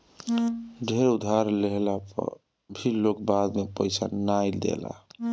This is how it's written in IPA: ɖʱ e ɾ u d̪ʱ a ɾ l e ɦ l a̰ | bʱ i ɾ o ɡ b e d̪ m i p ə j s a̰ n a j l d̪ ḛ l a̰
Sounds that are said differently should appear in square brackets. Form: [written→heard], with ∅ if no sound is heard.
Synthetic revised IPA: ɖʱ e ɾ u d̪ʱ a ɾ l e ɦ l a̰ | bʱ i [ɾ→l] o [ɡ→k] b [e→a] d̪ m [i→e] p ə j s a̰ n a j l d̪ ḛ l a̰